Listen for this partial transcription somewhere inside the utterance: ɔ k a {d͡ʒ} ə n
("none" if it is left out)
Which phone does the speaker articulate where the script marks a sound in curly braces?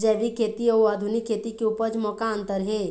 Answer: none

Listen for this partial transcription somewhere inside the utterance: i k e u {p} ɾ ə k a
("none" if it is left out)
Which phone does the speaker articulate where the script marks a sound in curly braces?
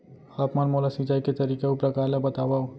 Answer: p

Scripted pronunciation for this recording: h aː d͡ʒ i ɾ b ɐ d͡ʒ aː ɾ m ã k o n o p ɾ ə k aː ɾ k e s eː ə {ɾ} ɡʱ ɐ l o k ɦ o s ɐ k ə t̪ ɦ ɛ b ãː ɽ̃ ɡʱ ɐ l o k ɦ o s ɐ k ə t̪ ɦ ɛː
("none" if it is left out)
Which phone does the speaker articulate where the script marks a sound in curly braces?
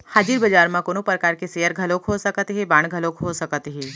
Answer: ɾ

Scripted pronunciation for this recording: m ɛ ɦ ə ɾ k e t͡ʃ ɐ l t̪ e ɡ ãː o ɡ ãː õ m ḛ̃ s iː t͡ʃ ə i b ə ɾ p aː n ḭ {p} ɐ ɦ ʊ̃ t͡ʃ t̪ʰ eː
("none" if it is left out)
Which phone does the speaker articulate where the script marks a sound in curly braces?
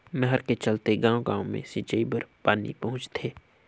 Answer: p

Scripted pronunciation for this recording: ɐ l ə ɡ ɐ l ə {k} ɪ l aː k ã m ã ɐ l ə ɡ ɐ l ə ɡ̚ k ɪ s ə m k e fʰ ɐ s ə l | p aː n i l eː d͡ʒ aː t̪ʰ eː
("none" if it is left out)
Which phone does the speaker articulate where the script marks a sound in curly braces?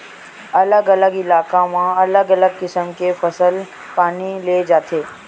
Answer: ɡ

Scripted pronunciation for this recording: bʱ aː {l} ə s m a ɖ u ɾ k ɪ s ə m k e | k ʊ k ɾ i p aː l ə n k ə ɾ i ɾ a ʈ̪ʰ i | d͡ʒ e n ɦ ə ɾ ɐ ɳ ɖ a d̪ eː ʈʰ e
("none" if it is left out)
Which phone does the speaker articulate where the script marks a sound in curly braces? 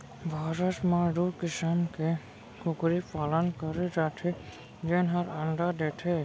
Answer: ɾ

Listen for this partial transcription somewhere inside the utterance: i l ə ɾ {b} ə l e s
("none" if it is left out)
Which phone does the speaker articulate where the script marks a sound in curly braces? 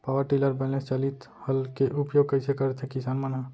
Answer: b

